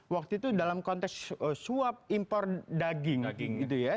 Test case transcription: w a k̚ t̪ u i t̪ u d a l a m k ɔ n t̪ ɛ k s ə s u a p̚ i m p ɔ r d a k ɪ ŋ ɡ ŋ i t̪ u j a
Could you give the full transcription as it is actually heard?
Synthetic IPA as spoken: w a k̚ t̪ u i t̪ u d a l a m k ɔ n t̪ ɛ k s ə s u a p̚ i m p ɔ r d a ɡ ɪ ŋ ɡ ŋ i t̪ u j a